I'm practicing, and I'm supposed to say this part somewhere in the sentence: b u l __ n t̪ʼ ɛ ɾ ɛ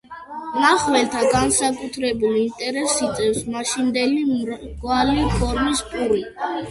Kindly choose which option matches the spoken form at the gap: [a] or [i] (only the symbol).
i